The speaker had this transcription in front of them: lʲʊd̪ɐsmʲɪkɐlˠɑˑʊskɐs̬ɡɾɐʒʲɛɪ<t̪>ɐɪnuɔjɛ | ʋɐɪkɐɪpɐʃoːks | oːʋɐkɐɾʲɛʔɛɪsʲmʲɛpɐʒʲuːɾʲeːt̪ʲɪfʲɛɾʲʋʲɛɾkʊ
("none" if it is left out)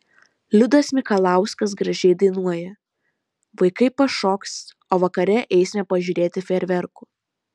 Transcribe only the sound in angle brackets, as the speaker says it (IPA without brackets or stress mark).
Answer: d̪